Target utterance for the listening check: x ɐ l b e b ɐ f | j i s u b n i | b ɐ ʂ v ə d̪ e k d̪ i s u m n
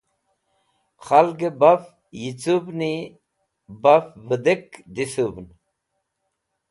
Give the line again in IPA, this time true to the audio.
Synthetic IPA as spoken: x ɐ l ɡ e b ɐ f | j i t͡s u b n i | b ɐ f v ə d̪ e k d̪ i s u b n

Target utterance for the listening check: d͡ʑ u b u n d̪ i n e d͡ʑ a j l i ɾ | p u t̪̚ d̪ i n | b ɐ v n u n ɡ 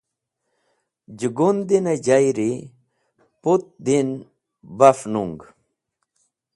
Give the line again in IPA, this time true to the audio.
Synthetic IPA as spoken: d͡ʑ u ɡ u n d̪ i n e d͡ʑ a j ɾ i | p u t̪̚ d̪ i n | b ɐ f n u ŋ ɡ

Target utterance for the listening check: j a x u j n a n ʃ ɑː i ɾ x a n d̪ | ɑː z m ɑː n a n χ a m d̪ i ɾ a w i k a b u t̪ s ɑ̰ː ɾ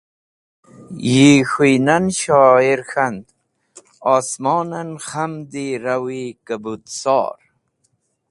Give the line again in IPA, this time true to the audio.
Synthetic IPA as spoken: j i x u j n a n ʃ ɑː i ɾ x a n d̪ | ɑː s m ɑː n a n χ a m d̪ i ɾ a w i k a b u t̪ s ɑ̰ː ɾ

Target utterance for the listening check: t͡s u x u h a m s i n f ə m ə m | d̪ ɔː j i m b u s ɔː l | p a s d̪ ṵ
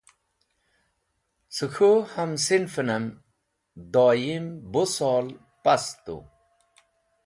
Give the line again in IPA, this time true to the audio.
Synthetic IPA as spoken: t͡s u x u h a m s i n f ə n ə m | d̪ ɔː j i m b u s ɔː l | p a s t̪ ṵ

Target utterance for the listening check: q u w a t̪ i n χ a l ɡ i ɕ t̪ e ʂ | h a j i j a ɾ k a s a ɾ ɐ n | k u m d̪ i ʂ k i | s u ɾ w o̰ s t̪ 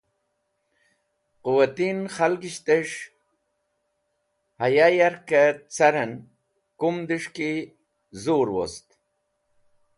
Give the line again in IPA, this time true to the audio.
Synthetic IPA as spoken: q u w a t̪ i n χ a l ɡ i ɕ t̪ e ʂ | h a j a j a ɾ k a t͡s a ɾ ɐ n | k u m d̪ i ʂ k i | z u ɾ w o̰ s t̪

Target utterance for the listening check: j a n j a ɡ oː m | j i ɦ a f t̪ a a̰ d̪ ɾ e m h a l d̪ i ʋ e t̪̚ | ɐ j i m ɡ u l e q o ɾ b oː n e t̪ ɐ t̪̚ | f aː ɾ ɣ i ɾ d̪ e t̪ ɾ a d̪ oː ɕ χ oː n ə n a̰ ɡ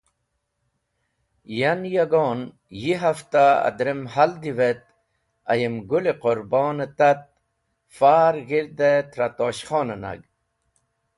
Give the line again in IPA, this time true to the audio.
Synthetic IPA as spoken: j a n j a ɡ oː n | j i ɦ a f t̪ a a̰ d̪ ɾ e m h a l d̪ i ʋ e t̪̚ | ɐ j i m ɡ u l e q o ɾ b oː n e t̪ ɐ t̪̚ | f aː ɾ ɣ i ɾ d̪ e t̪ ɾ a t̪ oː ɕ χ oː n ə n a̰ ɡ

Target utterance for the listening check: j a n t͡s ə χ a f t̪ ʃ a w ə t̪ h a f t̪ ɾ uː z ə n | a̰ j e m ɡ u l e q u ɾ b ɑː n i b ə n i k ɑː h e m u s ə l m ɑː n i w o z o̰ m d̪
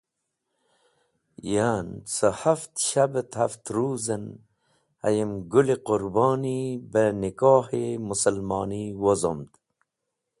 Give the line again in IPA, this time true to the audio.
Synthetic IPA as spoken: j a n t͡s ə h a f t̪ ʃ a b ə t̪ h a f t̪ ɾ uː z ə n | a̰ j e m ɡ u l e q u ɾ b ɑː n i b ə n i k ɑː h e m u s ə l m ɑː n i w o z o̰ m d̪

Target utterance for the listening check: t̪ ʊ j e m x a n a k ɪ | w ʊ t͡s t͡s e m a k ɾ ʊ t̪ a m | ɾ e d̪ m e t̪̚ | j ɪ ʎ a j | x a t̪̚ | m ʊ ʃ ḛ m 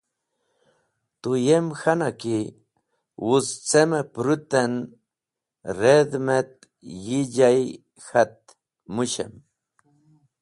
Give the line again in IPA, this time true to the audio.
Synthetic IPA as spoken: t̪ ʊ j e m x a n a k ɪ | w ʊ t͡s t͡s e m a p ɾ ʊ t̪ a n | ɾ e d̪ m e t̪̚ | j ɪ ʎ a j | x a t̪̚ | m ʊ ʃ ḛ m

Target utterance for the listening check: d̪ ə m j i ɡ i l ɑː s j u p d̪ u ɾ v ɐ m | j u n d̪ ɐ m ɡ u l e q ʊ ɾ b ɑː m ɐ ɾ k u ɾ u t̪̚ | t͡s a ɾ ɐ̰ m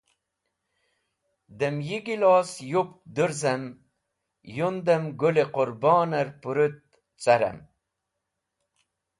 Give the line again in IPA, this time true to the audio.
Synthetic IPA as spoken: d̪ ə m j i ɡ i l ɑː s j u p d̪ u ɾ z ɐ m | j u n d̪ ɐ m ɡ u l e q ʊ ɾ b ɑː n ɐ ɾ p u ɾ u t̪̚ | t͡s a ɾ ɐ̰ m

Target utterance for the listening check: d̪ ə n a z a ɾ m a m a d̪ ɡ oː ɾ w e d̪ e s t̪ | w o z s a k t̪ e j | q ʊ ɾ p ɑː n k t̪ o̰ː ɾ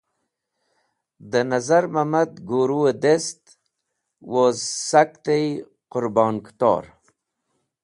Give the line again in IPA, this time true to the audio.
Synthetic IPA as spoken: d̪ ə n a z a ɾ m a m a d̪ ɡ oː ɾ u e d̪ e s t̪ | w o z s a k t̪ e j | q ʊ ɾ b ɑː n k t̪ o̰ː ɾ

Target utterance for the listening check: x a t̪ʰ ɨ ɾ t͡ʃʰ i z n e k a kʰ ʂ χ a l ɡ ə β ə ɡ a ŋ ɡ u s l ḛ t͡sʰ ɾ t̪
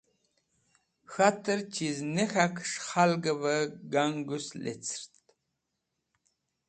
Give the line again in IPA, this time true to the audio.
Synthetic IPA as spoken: x a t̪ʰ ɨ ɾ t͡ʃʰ i z n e x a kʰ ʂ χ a l ɡ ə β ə ɡ a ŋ ɡ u s l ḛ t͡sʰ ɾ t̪

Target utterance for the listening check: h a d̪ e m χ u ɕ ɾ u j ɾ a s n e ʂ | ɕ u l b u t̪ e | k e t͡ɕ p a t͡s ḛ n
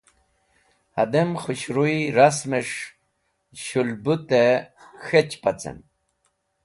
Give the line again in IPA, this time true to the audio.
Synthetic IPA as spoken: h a d̪ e m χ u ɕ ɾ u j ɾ a s m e ʂ | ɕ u l b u t̪ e | x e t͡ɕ p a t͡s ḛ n

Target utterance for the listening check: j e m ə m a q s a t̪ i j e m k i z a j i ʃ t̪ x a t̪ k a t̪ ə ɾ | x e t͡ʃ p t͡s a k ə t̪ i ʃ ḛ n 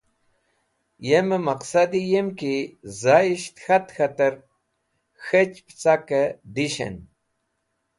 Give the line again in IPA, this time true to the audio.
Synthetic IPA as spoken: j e m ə m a q s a d̪ i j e m k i z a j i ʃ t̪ x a t̪ x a t̪ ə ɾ | x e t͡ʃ p t͡s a k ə d̪ i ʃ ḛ n

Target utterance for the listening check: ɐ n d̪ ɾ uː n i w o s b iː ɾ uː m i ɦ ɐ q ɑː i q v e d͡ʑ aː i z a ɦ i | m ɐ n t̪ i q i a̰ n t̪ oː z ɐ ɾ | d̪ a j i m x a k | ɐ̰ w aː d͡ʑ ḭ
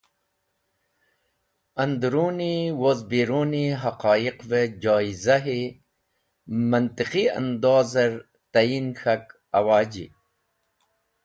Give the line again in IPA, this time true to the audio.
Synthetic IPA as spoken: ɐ n d̪ ɾ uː n i w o z b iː ɾ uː n i ɦ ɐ q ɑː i q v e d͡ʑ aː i z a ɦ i | m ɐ n t̪ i q i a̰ n d̪ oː z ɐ ɾ | t̪ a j i n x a k | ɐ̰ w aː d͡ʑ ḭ

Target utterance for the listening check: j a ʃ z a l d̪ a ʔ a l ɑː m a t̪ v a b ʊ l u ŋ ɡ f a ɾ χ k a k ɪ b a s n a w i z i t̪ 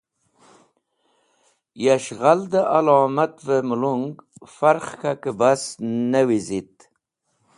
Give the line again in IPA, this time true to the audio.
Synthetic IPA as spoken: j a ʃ ʁ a l d̪ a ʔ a l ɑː m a t̪ v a m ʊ l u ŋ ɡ f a ɾ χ k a k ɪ b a s n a w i z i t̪

